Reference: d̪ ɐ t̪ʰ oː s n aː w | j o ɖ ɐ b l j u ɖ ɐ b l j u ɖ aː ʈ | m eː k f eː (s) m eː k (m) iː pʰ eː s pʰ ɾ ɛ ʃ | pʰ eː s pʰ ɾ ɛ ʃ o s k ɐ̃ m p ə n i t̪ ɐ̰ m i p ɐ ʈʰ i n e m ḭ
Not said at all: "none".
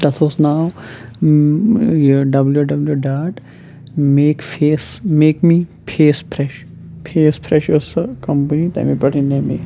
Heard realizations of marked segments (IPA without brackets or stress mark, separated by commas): s, m